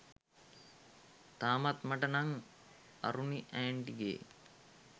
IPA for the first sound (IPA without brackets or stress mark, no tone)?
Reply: t̪